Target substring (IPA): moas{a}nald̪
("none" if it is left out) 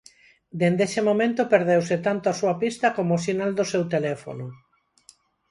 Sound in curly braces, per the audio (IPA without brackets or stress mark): i